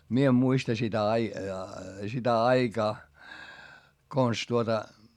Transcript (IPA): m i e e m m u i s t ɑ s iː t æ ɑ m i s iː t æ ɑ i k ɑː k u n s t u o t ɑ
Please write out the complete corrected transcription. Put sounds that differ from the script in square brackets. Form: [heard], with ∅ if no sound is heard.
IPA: m i e e m m u i s t ɑ s [i] t æ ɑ [∅] i s [i] t æ ɑ i k ɑː k [o] n s t u o t ɑ